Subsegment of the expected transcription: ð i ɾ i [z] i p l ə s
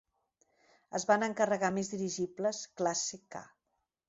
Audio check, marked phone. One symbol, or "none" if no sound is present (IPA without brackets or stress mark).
ʒ